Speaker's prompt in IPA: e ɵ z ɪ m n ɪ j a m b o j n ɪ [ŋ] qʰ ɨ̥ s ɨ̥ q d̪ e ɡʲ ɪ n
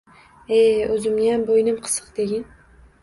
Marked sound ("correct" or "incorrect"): incorrect